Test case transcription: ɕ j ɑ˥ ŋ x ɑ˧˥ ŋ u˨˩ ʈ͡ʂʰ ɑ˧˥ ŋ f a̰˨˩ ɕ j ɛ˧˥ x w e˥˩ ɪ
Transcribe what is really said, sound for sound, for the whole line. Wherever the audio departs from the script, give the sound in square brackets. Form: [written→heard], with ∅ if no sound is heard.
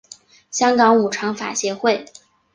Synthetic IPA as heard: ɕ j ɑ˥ ŋ [x→k] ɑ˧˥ ŋ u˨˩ ʈ͡ʂʰ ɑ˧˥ ŋ f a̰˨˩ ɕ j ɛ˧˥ x w e˥˩ ɪ